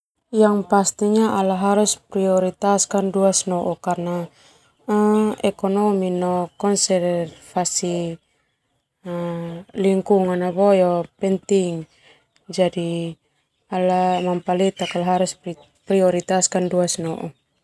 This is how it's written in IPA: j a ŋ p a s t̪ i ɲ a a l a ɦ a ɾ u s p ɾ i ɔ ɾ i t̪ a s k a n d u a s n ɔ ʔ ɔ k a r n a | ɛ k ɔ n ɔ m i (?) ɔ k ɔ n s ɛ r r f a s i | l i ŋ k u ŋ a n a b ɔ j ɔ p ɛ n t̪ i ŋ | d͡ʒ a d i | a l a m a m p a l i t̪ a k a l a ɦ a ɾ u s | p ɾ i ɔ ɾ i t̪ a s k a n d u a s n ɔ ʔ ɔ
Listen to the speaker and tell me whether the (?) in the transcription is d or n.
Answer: n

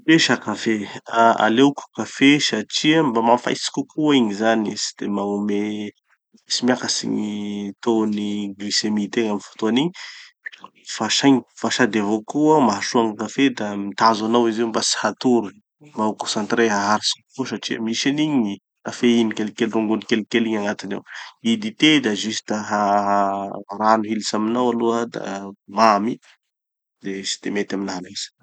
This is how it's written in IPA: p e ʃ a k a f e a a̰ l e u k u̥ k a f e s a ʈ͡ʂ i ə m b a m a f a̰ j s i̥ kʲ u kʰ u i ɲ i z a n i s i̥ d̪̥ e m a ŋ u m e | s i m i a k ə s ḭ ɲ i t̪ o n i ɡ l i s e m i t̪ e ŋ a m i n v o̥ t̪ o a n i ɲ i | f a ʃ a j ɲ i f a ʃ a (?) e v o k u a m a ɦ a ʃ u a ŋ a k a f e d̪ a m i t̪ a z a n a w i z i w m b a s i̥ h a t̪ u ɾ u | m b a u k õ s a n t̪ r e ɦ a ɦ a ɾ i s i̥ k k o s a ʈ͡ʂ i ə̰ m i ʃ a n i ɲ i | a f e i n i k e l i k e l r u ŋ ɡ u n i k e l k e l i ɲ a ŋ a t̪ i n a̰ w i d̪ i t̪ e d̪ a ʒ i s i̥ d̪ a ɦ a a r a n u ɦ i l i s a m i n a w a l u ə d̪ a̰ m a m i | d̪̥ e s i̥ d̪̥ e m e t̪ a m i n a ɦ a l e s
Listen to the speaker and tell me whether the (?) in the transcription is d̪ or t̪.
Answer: d̪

